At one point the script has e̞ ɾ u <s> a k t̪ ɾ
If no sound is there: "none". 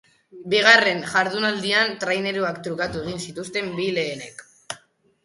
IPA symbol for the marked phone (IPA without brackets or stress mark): none